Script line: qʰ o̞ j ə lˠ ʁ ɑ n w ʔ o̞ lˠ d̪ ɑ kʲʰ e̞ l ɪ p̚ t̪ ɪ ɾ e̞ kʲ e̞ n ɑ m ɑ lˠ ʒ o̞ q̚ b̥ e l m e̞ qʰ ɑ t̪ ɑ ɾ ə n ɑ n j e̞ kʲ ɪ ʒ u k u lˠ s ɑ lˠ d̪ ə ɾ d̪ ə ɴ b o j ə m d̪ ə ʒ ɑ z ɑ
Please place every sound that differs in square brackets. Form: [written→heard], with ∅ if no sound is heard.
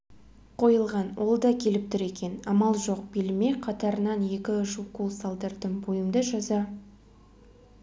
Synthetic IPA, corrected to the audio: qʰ o̞ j ə lˠ ʁ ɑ n w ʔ o̞ lˠ d̪ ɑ kʲʰ e̞ l ɪ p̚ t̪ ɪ ɾ e̞ kʲ e̞ n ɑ m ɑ lˠ ʒ o̞ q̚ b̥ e l m e̞ qʰ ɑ t̪ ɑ ɾ ə n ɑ n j e̞ kʲ ɪ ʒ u k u lˠ s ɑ lˠ d̪ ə ɾ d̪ ə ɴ b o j ə m d̪ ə ʒ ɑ z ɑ